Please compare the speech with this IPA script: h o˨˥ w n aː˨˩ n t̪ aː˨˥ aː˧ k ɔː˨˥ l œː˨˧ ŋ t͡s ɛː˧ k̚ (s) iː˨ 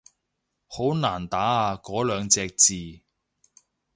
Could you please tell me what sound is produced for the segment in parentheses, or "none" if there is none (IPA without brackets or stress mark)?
t͡s